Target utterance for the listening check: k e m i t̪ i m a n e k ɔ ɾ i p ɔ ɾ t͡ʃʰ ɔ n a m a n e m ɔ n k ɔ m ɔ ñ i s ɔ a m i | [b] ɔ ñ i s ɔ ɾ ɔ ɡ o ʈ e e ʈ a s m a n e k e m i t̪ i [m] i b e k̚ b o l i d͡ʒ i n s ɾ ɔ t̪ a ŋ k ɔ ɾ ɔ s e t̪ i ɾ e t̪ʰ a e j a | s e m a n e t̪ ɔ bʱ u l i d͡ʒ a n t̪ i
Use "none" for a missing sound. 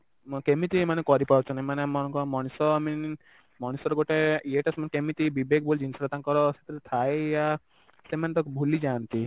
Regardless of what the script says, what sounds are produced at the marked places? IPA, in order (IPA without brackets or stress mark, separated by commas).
m, b